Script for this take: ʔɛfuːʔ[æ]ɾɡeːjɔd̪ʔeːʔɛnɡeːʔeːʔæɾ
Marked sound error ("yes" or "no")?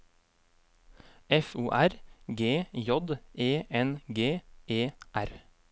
no